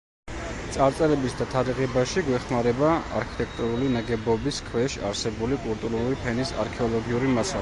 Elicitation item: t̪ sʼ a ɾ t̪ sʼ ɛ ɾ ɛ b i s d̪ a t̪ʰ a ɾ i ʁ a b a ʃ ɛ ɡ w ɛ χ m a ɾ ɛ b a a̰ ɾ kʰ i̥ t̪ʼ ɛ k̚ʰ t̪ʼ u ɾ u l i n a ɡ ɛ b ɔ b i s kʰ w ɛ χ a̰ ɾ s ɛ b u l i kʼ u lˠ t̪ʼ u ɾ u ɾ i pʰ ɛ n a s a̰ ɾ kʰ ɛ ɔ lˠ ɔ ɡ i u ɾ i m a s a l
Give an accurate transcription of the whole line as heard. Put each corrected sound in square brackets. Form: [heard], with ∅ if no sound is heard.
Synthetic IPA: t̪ sʼ a ɾ t̪ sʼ ɛ ɾ ɛ b i s d̪ a t̪ʰ a ɾ i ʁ [ɛ] b a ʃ [i] ɡ w ɛ χ m a ɾ ɛ b a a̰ ɾ kʰ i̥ t̪ʼ ɛ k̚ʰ t̪ʼ u ɾ u l i n a ɡ ɛ b ɔ b i s kʰ w ɛ [ʃ] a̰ ɾ s ɛ b u l i kʼ u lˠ t̪ʼ u ɾ u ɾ i pʰ ɛ n [i] s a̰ ɾ kʰ ɛ ɔ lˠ ɔ ɡ i u ɾ i m a s a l